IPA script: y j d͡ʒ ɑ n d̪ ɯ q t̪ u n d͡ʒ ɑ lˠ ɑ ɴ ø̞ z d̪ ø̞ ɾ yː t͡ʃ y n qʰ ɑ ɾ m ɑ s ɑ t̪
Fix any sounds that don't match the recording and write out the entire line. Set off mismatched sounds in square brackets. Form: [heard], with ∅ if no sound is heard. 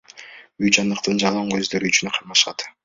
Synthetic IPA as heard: y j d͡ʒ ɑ n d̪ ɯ q t̪ [ɯ] n d͡ʒ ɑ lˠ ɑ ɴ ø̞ z d̪ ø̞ ɾ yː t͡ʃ y n qʰ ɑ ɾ m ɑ [ʃ] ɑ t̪